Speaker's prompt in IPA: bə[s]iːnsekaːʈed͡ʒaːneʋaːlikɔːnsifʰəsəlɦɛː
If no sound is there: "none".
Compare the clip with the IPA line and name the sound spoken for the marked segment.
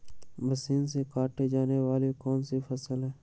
s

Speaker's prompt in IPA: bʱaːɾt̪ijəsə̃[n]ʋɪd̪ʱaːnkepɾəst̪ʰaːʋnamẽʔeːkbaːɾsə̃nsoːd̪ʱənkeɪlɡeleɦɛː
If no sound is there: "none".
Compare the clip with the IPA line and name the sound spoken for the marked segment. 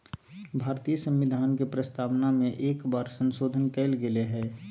m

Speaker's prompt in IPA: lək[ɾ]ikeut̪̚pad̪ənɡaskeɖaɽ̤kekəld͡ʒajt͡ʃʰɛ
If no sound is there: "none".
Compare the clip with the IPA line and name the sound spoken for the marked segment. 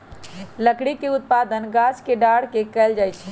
ɽ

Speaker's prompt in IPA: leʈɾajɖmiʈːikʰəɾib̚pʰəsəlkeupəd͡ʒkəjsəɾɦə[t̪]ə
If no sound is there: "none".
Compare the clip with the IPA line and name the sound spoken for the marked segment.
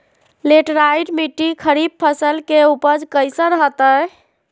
t̪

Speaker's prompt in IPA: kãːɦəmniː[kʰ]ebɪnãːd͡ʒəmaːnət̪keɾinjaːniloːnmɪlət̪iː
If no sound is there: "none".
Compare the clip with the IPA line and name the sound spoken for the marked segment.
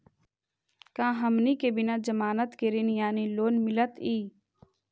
k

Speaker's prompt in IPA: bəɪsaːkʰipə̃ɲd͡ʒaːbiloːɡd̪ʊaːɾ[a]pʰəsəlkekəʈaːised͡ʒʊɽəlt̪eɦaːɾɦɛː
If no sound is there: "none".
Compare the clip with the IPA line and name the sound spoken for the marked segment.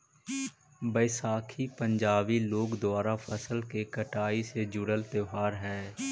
a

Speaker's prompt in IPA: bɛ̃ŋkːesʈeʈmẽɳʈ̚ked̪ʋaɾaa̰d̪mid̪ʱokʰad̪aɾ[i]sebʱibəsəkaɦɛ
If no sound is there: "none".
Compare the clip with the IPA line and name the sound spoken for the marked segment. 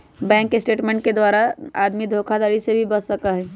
i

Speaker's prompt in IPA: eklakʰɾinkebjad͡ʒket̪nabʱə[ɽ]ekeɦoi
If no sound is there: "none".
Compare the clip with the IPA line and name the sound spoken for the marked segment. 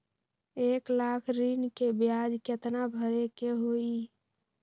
ɾ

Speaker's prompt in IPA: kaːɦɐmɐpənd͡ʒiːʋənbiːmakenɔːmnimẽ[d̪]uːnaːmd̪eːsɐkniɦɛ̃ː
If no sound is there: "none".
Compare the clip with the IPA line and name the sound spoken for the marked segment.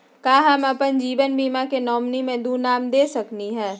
d̪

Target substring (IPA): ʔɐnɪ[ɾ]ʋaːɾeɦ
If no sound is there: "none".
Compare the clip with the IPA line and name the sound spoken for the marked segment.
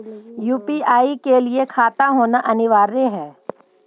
none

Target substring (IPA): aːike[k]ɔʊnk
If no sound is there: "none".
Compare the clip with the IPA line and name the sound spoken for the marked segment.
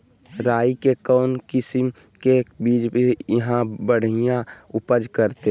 k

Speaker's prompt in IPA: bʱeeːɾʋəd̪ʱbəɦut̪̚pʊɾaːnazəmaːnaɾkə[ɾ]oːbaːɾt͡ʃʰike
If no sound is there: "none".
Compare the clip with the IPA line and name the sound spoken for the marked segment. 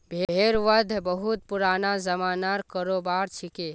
ɾ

